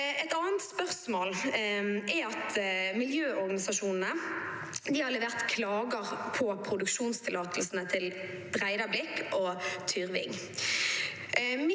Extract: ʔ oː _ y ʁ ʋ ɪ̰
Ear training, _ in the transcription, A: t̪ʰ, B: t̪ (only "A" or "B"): A